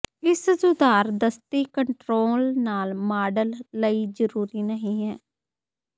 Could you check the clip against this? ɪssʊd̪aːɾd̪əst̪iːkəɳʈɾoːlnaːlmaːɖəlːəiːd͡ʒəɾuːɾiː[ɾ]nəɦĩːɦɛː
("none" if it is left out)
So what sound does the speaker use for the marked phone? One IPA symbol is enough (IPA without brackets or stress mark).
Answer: none